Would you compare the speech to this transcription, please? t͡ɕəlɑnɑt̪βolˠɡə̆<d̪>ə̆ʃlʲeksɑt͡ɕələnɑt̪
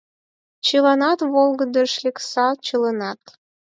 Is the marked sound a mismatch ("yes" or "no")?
no